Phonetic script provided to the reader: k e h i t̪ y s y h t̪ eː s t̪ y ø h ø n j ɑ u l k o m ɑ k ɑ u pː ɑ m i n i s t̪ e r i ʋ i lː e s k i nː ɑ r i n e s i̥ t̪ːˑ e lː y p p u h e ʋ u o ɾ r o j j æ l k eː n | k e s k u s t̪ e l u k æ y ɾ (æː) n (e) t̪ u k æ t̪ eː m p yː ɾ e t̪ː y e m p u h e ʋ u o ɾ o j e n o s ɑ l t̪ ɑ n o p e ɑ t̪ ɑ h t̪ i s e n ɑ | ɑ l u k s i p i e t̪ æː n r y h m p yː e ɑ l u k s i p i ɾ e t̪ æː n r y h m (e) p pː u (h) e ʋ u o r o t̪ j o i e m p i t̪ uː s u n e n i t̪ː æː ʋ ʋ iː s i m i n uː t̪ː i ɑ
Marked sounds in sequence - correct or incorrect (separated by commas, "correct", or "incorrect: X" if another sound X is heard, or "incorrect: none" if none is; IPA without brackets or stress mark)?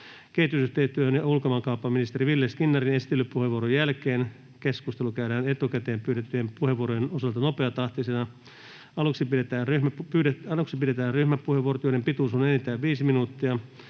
correct, correct, incorrect: æ, correct